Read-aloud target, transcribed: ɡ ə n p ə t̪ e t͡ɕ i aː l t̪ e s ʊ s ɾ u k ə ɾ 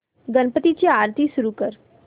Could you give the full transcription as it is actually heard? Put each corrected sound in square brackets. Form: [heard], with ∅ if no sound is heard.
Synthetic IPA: ɡ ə n p ə t̪ [i] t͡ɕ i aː [ɾ] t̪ [i] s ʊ [∅] ɾ u k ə ɾ